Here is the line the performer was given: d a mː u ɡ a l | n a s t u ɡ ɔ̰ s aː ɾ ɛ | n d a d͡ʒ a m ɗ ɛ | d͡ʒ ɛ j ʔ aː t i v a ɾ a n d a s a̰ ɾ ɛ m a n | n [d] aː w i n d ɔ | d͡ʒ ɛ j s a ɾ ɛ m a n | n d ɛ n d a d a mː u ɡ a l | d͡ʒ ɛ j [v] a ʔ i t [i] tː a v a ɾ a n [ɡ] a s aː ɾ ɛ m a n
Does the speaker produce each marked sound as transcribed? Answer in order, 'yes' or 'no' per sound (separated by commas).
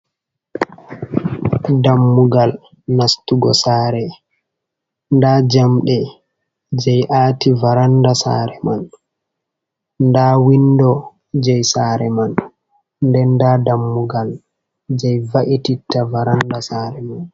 yes, yes, yes, no